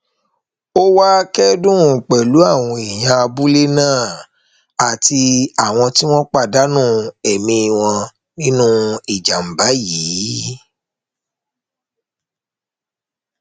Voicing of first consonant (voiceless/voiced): voiced